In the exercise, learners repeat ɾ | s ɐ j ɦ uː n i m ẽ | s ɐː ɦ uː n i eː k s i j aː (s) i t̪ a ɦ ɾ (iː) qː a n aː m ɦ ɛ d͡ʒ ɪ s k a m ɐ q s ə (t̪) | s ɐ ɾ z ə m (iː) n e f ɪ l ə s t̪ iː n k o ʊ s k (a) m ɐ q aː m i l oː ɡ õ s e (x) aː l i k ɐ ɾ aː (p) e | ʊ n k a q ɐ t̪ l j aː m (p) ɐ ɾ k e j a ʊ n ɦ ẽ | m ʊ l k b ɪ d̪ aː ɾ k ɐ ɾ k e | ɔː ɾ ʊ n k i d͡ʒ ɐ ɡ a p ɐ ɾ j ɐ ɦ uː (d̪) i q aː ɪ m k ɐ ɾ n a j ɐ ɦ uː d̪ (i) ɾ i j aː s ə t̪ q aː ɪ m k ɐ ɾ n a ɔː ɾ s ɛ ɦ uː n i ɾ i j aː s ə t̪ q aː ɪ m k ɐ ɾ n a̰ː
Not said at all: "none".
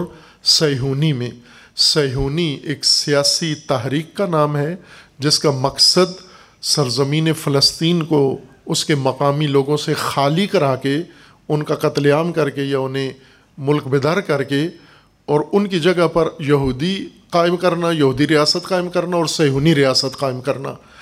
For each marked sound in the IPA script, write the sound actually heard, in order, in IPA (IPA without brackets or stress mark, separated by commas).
s, iː, d̪, iː, e, x, k, k, d̪, i